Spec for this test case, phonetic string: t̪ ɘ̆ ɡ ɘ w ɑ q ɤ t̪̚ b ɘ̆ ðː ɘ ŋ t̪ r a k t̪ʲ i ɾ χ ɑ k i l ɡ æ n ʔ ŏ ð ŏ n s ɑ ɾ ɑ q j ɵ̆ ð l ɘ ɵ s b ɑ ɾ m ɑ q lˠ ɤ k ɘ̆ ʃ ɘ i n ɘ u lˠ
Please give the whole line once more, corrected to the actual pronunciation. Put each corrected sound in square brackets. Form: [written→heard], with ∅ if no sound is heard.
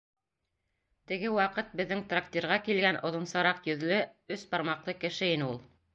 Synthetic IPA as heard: t̪ ɘ̆ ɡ ɘ w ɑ q ɤ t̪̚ b ɘ̆ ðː ɘ ŋ t̪ r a k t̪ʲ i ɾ [χ→ʁ] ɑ k i l ɡ æ n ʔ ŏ ð ŏ n s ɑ ɾ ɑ q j ɵ̆ ð l ɘ ɵ s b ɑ ɾ m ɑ q lˠ ɤ k ɘ̆ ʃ ɘ i n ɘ u lˠ